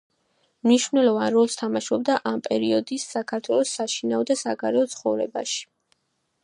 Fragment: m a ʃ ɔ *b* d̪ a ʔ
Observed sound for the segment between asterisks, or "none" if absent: b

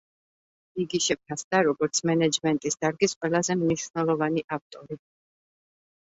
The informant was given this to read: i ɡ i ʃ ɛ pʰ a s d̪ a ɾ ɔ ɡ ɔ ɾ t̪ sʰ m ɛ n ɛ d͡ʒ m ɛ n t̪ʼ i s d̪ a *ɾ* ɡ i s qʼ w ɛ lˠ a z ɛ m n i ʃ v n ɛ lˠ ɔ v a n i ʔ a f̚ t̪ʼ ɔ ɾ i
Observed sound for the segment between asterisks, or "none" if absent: ɾ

